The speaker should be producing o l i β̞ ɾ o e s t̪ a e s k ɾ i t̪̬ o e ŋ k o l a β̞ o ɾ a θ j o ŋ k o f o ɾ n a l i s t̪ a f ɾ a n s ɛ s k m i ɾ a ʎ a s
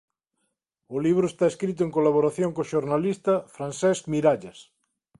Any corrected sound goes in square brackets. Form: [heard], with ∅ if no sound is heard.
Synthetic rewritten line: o l i β̞ ɾ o e s t̪ a e s k ɾ i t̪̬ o e ŋ k o l a β̞ o ɾ a θ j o ŋ k o [ʃ] o ɾ n a l i s t̪ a f ɾ a n s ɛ s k m i ɾ a ʎ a s